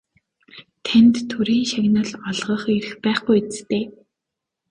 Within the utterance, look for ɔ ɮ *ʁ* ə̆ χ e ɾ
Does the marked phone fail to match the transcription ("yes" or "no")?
no